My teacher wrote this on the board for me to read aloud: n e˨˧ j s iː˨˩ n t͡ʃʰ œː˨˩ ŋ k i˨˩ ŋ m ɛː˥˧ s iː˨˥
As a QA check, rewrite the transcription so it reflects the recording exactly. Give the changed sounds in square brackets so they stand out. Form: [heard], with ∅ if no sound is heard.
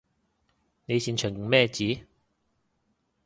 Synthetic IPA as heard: n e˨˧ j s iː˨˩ n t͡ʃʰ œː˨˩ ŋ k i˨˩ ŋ m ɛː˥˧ [t͡s] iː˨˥